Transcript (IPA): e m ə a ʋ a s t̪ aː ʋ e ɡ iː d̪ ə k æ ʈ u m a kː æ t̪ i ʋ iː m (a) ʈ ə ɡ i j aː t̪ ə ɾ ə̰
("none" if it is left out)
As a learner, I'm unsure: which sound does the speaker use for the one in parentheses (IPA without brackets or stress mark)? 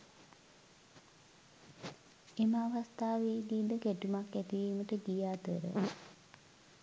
ə